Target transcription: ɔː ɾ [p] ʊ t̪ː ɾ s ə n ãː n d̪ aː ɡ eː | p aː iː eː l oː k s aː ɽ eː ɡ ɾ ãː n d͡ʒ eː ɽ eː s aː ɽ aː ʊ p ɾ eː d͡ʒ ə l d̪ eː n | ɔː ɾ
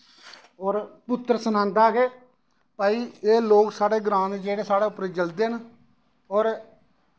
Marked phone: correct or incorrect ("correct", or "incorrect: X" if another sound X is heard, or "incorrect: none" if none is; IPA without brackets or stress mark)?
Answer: correct